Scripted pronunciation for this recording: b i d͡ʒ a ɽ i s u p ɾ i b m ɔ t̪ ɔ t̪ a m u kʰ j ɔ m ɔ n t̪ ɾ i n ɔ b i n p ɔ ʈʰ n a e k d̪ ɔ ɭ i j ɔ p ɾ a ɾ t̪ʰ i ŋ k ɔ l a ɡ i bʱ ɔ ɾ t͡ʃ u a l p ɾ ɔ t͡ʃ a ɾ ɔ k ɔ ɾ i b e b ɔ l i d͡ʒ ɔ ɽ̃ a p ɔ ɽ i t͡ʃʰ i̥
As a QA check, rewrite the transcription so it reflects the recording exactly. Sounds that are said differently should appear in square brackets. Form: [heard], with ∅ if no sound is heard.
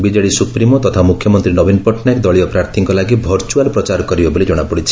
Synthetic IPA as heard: b i d͡ʒ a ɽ i s u p ɾ i [∅] m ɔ t̪ ɔ [t̪ʰ] a m u kʰ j ɔ m ɔ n t̪ ɾ i n ɔ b i n p ɔ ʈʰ n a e k d̪ ɔ ɭ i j ɔ p ɾ a ɾ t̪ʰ i ŋ k ɔ l a ɡ i bʱ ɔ ɾ t͡ʃ u a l p ɾ ɔ t͡ʃ a ɾ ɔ k ɔ ɾ i b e b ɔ l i d͡ʒ ɔ ɽ̃ a p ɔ ɽ i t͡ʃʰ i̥